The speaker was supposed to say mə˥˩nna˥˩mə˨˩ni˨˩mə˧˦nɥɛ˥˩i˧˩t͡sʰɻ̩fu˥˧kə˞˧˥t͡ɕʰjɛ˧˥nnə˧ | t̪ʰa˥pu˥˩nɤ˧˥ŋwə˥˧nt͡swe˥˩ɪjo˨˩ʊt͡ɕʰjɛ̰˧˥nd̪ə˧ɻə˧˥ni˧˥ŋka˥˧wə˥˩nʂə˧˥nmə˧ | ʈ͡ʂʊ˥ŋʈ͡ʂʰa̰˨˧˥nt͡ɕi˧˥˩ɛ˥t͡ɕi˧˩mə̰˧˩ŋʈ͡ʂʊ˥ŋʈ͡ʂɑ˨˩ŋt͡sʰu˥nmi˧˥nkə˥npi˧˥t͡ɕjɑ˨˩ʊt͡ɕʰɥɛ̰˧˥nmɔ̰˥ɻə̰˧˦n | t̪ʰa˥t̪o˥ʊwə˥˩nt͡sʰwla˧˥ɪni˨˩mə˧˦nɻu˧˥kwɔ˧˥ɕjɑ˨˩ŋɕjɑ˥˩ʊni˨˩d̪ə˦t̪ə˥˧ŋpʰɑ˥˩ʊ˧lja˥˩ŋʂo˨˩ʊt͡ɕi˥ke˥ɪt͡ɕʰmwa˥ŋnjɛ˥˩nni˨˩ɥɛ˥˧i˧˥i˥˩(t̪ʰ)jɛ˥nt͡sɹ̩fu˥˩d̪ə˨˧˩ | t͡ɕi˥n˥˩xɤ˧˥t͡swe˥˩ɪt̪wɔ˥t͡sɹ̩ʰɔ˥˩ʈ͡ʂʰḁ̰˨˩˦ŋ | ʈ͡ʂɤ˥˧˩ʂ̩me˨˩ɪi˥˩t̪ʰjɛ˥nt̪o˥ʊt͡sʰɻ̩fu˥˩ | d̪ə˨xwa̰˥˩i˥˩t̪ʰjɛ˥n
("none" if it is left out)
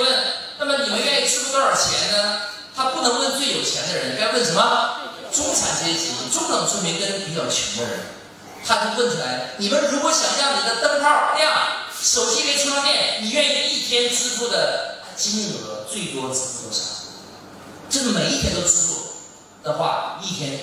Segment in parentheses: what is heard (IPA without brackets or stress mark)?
t̪ʰ